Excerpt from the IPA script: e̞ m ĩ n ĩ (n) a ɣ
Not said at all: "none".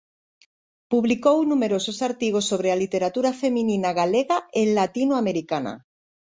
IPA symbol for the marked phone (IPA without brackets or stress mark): n